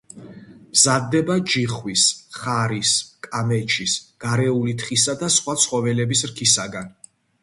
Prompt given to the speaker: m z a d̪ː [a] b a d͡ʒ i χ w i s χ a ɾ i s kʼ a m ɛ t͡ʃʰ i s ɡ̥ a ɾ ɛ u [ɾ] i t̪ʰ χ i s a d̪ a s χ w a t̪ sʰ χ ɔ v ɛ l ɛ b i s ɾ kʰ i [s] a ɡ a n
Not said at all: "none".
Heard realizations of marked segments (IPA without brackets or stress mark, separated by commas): ɛ, l, s